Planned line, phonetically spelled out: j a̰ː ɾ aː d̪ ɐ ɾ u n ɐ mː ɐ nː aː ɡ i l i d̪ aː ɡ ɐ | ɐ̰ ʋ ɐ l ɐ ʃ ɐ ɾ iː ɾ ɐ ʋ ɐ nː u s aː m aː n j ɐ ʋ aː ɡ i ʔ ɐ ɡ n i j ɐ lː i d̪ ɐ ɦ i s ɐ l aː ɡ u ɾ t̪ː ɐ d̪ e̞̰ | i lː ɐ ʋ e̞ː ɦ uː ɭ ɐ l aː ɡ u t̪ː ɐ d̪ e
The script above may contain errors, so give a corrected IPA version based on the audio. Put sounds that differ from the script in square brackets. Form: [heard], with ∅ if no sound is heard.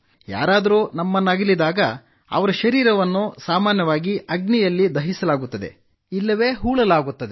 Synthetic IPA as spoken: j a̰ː ɾ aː d̪ ɐ ɾ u n ɐ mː ɐ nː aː ɡ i l i d̪ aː ɡ ɐ | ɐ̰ ʋ ɐ [ɾ] ɐ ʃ ɐ ɾ iː ɾ ɐ ʋ ɐ nː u s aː m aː n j ɐ ʋ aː ɡ i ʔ ɐ ɡ n i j ɐ lː i d̪ ɐ ɦ i s ɐ l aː ɡ u [∅] t̪ː ɐ d̪ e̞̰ | i lː ɐ ʋ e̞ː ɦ uː ɭ ɐ l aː ɡ u t̪ː ɐ d̪ e